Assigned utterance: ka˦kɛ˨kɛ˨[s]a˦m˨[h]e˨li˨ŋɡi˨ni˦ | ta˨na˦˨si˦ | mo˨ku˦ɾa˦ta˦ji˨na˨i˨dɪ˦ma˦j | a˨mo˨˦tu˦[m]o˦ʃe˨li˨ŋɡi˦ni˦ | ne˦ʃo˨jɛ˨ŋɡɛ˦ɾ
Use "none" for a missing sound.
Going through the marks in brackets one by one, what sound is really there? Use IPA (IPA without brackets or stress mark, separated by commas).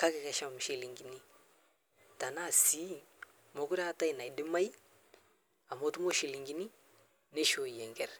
ʃ, ʃ, m